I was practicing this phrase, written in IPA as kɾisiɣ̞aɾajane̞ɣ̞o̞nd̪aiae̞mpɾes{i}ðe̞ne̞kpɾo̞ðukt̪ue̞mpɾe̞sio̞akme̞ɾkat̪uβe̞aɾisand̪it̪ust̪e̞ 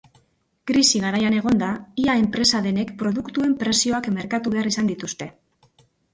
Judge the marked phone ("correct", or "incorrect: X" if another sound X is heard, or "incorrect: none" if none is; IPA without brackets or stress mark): incorrect: a